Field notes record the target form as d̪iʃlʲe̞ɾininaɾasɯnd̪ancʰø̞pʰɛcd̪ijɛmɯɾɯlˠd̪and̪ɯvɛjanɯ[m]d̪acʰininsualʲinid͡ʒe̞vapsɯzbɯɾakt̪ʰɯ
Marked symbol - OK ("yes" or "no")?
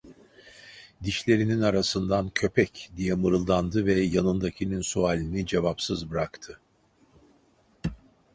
no